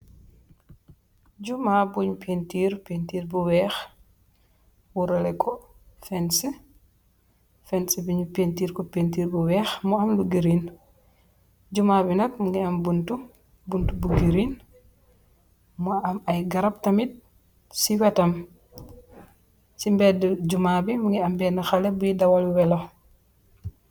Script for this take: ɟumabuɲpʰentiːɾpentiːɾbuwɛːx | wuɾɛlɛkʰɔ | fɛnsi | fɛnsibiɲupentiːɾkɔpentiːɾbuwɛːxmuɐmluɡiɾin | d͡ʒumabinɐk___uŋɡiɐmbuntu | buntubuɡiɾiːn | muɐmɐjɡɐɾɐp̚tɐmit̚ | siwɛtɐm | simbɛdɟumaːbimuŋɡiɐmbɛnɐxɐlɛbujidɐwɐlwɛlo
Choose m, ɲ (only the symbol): m